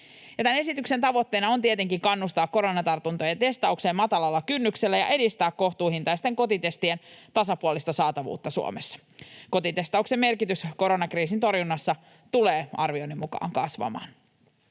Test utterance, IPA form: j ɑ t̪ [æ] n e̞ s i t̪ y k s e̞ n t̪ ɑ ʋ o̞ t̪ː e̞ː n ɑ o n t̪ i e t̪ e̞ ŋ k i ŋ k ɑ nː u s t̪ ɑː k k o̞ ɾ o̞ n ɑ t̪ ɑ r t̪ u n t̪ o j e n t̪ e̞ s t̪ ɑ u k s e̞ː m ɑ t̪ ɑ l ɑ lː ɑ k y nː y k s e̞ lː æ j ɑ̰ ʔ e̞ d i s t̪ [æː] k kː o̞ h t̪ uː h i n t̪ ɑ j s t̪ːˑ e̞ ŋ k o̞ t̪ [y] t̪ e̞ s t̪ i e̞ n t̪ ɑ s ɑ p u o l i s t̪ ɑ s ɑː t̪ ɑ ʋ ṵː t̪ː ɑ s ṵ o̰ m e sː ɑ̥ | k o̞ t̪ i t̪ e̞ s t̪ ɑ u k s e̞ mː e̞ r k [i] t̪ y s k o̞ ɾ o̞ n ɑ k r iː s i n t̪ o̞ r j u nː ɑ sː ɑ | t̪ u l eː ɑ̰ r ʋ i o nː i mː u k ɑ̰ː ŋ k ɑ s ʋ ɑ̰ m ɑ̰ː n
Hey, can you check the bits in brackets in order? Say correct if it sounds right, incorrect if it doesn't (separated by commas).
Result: correct, correct, incorrect, correct